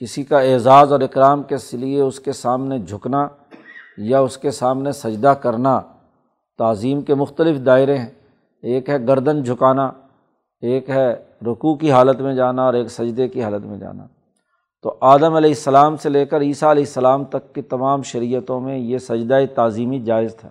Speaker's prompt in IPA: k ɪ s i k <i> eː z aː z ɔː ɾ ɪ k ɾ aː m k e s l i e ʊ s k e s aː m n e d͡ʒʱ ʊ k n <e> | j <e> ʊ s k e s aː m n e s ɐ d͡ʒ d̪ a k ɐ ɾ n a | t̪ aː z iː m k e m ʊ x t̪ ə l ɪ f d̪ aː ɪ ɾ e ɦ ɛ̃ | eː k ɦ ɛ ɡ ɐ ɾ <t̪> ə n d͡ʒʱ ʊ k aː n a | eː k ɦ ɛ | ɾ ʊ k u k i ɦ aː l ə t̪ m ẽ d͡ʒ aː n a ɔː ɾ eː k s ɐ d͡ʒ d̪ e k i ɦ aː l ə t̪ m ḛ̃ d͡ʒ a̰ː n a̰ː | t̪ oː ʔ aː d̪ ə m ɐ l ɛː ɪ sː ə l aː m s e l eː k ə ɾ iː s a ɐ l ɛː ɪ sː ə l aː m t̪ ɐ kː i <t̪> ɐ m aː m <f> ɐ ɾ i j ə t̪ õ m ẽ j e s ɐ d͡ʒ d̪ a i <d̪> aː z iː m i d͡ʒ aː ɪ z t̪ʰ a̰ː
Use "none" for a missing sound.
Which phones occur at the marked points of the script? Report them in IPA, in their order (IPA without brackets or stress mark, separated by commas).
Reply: a, a, a, d̪, t̪, ʃ, t̪